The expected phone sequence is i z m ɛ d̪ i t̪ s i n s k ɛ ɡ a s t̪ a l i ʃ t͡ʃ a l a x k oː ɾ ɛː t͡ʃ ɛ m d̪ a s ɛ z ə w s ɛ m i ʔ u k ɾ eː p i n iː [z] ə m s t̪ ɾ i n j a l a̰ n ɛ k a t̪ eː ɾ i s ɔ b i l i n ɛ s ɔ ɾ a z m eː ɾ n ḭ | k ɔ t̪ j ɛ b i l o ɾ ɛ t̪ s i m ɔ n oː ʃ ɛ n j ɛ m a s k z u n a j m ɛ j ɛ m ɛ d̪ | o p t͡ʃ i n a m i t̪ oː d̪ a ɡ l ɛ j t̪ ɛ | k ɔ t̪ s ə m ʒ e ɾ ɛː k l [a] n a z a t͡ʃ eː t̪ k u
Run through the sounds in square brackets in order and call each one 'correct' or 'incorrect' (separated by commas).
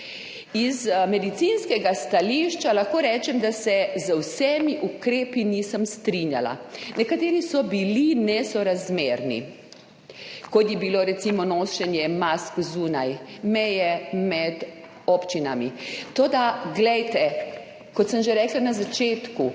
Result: incorrect, correct